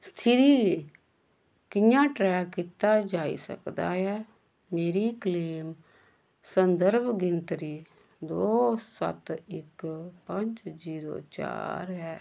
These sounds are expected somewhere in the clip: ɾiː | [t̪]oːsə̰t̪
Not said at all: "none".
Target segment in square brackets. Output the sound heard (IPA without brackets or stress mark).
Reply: d̪